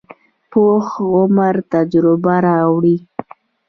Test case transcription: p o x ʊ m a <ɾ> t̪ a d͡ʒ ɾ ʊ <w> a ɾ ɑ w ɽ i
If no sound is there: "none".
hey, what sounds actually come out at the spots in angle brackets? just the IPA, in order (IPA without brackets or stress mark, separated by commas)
ɾ, b